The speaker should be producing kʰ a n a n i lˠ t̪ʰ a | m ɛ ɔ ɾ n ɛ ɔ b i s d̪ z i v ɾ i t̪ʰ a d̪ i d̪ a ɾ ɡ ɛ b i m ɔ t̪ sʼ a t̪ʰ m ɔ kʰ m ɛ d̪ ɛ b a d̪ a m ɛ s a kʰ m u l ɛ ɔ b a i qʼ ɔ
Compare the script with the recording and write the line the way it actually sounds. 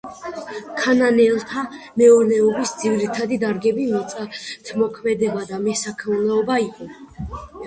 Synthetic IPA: kʰ a n a n ɛ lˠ t̪ʰ a | m ɛ ɔ ɾ n ɛ ɔ b i s d̪ z i v ɾ i t̪ʰ a d̪ i d̪ a ɾ ɡ ɛ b i m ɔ t̪ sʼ a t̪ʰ m ɔ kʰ m ɛ d̪ ɛ b a d̪ a m ɛ s a kʰ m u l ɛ ɔ b a i qʼ ɔ